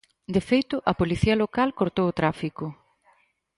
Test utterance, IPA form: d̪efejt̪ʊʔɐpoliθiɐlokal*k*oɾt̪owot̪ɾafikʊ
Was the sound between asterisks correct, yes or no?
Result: yes